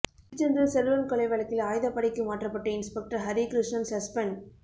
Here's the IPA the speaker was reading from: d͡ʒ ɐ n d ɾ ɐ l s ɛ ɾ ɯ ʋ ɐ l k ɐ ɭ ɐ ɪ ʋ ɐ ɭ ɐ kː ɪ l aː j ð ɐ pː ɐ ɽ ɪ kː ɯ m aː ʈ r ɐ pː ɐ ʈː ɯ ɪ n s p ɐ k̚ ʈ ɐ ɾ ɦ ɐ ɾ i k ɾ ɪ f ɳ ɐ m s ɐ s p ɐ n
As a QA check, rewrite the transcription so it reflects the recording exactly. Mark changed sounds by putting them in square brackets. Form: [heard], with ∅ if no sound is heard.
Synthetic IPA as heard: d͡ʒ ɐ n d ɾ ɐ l s ɛ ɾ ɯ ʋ ɐ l k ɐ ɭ ɐ ɪ ʋ ɐ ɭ ɐ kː ɪ l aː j ð ɐ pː ɐ ɽ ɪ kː ɯ m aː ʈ r ɐ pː ɐ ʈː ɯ ɪ n s p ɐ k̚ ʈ ɐ ɾ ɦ ɐ ɾ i k ɾ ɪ [ʂ] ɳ ɐ m s ɐ s p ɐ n